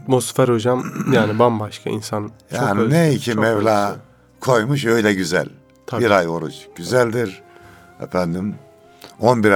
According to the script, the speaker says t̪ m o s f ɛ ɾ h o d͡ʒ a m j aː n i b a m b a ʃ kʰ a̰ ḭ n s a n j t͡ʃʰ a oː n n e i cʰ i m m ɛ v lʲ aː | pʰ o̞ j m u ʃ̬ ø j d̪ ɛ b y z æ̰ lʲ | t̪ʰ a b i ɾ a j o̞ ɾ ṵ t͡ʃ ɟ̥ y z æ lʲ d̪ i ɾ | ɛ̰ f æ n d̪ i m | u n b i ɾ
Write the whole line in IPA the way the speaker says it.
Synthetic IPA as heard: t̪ m o s f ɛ ɾ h o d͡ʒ a m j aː n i b a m b a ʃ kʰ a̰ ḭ n s a n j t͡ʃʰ a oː n n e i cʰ i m m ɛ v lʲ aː | kʰ o̞ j m u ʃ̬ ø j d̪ ɛ ɟ y z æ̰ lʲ | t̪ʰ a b i ɾ a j o̞ ɾ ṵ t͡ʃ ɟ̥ y z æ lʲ d̪ i ɾ | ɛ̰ f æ n d̪ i m | o n b i ɾ